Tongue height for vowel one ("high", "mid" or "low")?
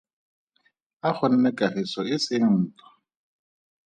low